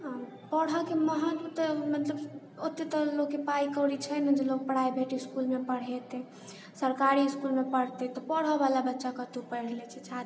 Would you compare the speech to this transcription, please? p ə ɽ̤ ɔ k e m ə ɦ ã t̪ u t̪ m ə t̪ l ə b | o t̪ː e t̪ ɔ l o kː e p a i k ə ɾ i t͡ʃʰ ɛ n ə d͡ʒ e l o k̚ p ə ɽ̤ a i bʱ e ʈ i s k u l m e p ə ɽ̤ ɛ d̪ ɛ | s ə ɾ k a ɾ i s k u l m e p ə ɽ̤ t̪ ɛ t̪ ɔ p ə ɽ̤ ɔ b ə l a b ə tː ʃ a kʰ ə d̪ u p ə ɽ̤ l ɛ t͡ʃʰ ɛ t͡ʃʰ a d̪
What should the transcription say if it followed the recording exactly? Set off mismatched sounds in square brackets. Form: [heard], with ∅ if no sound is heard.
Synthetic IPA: p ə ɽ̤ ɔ k e m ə ɦ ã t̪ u t̪ m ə t̪ l ə b | o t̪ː e t̪ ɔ l o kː e p a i k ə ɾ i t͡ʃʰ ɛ n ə d͡ʒ e l o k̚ p ə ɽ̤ a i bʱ e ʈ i s k u l m e p ə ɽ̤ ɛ [t̪] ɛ | s ə ɾ k a ɾ i s k u l m e p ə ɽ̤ t̪ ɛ t̪ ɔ p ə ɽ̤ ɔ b [a] l a b ə tː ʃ a [k] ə [t̪] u p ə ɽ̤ l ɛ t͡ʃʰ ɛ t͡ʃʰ a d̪